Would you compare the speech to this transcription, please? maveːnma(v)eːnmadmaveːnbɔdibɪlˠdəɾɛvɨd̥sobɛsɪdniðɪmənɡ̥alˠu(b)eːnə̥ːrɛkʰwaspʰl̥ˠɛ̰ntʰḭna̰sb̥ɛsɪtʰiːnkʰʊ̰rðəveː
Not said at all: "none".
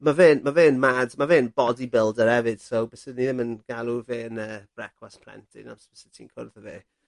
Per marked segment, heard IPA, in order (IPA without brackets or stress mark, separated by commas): v, v